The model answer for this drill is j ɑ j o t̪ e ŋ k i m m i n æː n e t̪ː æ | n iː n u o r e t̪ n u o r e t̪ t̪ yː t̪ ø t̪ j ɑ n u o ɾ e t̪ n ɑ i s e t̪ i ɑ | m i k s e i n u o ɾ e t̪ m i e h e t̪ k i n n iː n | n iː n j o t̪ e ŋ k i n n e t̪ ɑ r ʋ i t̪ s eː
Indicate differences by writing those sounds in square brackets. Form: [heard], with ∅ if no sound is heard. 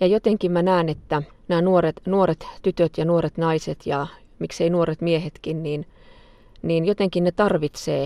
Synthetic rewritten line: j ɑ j o t̪ e ŋ k i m m [æ] n æː n e t̪ː æ | n [æː] n u o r e t̪ n u o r e t̪ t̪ [y] t̪ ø t̪ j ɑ n u o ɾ e t̪ n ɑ i s e t̪ [j] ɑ | m i k s e i n u o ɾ e t̪ m i e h e t̪ k i n n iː n | n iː n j o t̪ e ŋ k i n n e t̪ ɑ r ʋ i t̪ s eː